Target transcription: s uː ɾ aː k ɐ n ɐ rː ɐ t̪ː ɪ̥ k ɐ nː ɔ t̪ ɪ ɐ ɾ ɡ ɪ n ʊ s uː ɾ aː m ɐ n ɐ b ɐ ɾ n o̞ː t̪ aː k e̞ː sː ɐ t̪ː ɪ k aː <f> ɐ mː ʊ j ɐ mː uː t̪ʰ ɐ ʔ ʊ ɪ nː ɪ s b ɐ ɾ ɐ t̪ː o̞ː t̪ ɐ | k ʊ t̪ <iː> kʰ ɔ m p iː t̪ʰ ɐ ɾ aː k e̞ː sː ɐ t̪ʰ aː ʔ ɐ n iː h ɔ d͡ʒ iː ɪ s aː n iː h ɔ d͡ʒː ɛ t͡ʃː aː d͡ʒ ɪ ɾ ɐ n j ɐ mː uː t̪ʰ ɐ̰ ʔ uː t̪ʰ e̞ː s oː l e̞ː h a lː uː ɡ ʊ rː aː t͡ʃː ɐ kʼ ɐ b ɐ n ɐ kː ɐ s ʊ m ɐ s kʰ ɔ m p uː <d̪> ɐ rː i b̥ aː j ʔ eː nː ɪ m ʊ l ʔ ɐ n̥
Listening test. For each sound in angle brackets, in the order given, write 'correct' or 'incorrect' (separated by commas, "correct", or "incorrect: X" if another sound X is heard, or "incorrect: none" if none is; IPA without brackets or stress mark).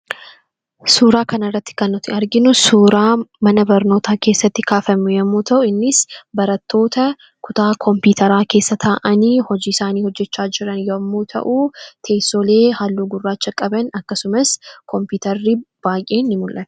correct, incorrect: aː, incorrect: t̪